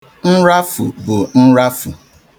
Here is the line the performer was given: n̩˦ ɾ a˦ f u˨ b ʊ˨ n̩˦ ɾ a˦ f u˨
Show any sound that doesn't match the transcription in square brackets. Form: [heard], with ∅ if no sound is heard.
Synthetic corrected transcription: n̩˦ ɾ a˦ f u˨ b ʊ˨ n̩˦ ɾ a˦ f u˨